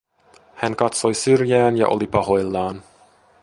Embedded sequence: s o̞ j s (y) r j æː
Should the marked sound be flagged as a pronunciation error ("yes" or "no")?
no